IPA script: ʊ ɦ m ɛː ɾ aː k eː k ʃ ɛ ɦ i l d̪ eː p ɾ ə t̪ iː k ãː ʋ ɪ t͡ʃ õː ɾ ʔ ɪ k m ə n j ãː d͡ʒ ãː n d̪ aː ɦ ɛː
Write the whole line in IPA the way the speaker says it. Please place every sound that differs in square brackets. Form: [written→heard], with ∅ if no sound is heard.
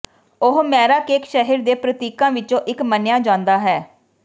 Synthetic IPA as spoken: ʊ ɦ m ɛː ɾ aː k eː k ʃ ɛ ɦ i [l→ɾ] d̪ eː p ɾ ə t̪ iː k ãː ʋ ɪ t͡ʃ õː [ɾ→∅] ʔ ɪ k m ə n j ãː d͡ʒ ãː n d̪ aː ɦ ɛː